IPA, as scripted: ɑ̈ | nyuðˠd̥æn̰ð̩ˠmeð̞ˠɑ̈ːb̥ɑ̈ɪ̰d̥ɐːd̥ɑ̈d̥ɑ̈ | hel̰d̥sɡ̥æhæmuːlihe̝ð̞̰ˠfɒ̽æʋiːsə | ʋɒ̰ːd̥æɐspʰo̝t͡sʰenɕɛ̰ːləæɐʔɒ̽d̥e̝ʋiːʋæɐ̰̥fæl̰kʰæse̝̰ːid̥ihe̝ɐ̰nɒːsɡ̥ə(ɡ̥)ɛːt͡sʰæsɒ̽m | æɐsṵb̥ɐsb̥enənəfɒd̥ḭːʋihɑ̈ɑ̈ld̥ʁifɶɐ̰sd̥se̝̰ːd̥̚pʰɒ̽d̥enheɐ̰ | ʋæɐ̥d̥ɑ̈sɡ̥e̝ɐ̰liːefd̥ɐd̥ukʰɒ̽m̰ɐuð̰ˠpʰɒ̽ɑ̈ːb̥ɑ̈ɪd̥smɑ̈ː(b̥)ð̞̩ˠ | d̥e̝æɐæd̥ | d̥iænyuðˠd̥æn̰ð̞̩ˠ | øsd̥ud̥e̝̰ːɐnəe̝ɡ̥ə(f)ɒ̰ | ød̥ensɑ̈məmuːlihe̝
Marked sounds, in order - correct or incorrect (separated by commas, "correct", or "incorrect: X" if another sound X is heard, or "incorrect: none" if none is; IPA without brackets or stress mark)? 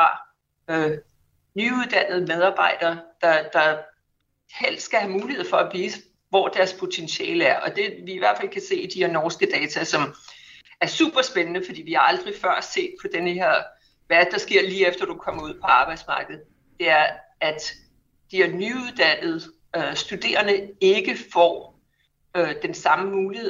incorrect: d̥, incorrect: ɡ̥, correct